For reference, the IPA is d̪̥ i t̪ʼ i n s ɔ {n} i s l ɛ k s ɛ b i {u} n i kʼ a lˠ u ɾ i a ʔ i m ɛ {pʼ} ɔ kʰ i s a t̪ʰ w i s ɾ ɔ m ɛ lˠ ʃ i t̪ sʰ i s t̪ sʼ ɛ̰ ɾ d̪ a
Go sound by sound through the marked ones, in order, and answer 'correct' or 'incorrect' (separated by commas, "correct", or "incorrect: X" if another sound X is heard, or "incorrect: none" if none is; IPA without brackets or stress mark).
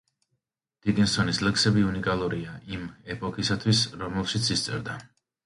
correct, correct, correct